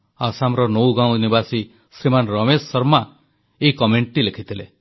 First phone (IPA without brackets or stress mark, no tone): a